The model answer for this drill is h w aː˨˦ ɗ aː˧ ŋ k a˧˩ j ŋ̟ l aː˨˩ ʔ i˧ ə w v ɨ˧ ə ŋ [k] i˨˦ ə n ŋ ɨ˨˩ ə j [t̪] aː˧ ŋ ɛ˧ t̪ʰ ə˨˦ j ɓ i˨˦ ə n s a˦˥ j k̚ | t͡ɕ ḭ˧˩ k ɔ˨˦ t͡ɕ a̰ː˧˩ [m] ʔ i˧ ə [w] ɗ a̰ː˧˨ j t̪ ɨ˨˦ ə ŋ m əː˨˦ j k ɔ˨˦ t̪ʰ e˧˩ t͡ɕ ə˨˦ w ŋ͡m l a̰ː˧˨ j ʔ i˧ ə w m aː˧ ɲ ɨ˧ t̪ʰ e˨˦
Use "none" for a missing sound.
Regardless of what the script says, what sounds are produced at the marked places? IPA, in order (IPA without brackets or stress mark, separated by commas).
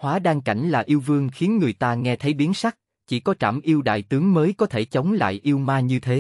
x, t̪, m, w